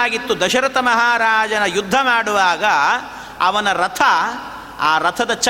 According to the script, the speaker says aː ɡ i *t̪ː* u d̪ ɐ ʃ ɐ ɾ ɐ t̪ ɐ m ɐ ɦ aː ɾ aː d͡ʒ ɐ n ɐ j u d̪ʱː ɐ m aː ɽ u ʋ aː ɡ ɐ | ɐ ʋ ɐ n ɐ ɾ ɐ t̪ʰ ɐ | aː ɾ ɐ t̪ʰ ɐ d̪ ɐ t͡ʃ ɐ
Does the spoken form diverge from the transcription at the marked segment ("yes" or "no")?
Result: no